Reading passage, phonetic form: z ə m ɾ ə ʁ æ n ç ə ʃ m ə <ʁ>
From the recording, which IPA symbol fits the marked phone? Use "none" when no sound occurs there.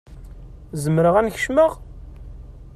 ʁ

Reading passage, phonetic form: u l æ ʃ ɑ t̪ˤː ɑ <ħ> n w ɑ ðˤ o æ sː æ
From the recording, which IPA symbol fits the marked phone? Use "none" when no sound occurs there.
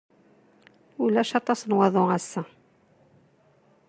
s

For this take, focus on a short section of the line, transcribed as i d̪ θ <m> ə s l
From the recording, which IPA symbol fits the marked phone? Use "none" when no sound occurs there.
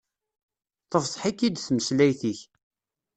m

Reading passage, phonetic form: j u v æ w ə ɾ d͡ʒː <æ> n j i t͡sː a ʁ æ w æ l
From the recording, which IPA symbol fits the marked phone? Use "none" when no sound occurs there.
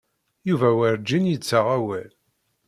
i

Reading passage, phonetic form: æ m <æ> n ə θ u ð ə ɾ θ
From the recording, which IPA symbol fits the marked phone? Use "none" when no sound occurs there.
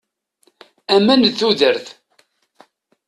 æ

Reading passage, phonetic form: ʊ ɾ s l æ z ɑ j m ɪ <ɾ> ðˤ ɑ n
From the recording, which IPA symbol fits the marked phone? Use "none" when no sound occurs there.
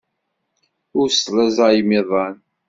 none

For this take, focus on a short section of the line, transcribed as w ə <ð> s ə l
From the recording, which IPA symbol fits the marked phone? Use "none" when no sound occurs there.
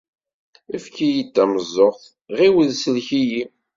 ð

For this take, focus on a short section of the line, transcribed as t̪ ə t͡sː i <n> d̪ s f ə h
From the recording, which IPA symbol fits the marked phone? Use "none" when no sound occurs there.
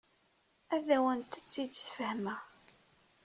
none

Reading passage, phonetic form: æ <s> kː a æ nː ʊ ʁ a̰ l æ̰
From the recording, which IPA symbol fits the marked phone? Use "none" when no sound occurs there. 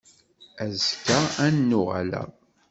z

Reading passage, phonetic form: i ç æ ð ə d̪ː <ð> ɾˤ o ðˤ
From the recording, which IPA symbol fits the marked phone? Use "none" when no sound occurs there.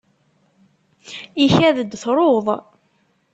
θ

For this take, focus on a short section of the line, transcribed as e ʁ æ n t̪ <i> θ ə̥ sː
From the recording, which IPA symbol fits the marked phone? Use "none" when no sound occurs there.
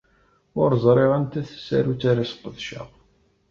æ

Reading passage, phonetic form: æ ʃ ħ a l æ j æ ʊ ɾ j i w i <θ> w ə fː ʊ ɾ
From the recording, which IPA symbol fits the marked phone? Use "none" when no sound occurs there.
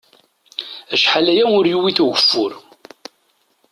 θ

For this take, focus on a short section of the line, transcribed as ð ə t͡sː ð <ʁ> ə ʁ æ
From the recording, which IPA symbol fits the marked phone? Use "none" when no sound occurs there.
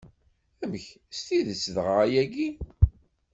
ʁ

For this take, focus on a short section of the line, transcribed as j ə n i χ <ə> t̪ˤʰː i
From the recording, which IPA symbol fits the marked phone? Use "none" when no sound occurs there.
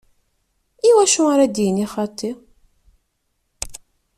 ɑ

